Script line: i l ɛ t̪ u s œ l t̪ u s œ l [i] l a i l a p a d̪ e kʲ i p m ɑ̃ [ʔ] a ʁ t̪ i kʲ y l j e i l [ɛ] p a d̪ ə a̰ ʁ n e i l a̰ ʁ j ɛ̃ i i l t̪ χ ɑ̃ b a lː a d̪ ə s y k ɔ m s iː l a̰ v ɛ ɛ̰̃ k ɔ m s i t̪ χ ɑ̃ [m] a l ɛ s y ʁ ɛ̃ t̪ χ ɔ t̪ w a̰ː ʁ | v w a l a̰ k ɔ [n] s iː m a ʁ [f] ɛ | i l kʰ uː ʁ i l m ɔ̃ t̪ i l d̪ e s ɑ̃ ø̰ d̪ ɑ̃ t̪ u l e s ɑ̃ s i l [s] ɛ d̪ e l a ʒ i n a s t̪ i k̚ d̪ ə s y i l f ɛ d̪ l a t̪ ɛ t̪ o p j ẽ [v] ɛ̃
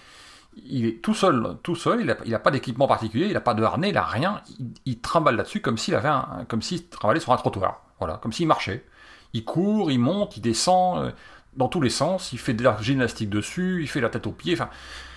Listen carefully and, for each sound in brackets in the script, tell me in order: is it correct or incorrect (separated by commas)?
correct, incorrect, incorrect, incorrect, incorrect, incorrect, incorrect, incorrect